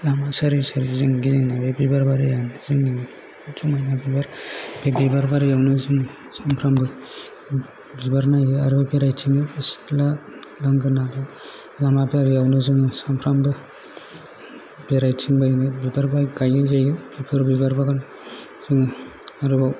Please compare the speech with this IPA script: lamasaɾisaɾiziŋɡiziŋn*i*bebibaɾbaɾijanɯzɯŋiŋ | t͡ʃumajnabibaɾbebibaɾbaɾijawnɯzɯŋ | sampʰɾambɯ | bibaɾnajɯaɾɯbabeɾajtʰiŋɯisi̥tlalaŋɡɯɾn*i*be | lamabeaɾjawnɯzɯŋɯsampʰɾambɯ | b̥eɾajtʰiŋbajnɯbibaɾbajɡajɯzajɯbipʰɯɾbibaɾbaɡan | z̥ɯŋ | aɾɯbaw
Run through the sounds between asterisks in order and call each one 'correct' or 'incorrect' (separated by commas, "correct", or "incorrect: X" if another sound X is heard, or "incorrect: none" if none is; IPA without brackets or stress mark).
incorrect: a, incorrect: a